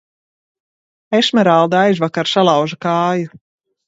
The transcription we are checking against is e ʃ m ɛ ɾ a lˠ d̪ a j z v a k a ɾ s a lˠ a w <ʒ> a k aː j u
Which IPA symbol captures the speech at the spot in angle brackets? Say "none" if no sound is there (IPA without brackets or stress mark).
ʒ